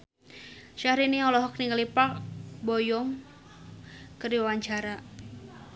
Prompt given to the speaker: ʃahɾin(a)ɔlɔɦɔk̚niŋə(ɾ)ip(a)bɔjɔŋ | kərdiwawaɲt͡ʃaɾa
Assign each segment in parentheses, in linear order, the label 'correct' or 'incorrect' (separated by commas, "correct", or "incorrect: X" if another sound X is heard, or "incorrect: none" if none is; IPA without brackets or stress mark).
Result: incorrect: i, incorrect: l, correct